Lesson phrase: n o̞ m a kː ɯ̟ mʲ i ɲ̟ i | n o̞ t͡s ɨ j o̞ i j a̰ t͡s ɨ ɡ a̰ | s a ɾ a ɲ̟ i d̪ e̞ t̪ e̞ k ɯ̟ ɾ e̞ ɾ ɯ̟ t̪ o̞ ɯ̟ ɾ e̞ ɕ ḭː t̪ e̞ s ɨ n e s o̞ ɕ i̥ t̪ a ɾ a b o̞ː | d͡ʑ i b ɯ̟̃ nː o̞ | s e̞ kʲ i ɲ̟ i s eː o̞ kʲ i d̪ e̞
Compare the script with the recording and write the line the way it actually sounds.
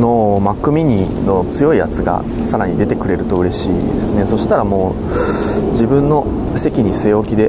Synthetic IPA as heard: n o̞ m a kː ɯ̟ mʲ i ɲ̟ i | n o̞ t͡s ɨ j o̞ i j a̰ t͡s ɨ ɡ a̰ | s a ɾ a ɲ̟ i d̪ e̞ t̪ e̞ k ɯ̟ ɾ e̞ ɾ ɯ̟ t̪ o̞ ɯ̟ ɾ e̞ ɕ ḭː d̪ e̞ s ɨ n e s o̞ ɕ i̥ t̪ a ɾ a m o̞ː | d͡ʑ i b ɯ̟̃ nː o̞ | s e̞ kʲ i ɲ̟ i s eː o̞ kʲ i d̪ e̞